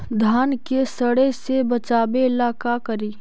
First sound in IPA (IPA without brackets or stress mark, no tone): d̪ʱ